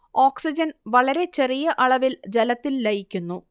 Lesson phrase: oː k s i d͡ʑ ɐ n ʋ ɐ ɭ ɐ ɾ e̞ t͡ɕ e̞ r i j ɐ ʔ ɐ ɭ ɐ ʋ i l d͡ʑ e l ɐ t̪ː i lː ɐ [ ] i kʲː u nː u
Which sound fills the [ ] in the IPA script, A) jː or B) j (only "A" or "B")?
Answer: B